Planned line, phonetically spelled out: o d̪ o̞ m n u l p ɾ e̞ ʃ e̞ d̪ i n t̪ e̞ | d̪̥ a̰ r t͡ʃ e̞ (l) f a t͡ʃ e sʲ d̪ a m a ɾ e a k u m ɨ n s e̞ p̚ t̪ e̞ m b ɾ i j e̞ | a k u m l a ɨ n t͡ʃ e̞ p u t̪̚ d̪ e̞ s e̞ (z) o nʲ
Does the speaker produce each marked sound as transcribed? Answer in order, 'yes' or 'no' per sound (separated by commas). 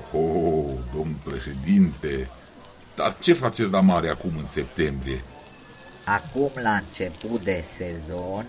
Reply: no, yes